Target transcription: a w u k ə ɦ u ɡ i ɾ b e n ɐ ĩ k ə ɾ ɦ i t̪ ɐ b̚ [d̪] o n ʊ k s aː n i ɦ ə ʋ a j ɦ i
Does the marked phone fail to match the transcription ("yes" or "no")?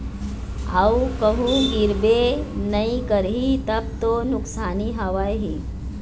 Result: yes